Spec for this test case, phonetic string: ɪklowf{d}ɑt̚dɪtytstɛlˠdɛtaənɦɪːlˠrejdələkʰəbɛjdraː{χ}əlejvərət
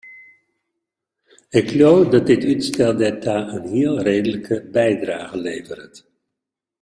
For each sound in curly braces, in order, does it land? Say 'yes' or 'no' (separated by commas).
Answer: yes, yes